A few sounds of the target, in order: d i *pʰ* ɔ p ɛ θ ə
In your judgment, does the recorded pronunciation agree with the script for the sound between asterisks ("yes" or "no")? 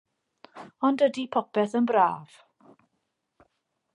yes